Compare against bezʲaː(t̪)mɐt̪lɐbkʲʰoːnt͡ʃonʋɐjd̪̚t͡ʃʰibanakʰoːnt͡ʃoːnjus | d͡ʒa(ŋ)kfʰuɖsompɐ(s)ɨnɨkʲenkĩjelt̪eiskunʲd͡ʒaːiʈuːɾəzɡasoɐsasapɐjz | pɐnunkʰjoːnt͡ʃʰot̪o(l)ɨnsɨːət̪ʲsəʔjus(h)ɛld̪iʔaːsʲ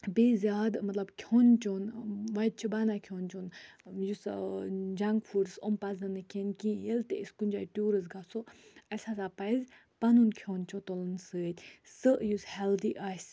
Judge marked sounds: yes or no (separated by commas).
no, yes, no, yes, yes